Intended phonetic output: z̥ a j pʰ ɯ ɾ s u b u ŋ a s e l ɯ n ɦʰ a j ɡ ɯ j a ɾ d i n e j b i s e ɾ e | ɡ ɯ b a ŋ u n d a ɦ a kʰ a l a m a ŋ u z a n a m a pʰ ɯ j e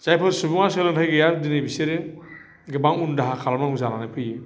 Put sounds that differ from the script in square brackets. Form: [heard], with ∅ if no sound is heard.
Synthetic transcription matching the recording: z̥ a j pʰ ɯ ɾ s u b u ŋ a s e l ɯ n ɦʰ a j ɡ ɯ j a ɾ d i n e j b i s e ɾ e | ɡ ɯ b a ŋ u n d a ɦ a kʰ a l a m a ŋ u z a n a [n] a pʰ ɯ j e